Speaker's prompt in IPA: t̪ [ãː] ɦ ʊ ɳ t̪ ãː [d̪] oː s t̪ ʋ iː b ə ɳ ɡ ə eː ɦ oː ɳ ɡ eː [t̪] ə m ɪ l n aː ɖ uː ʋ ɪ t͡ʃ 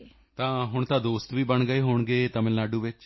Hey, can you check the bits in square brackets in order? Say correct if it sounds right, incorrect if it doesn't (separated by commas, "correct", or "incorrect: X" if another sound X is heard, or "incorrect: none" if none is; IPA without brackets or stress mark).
correct, correct, correct